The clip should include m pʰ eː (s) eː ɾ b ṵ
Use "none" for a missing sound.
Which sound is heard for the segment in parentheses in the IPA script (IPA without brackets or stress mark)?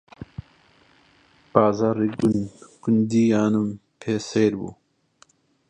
s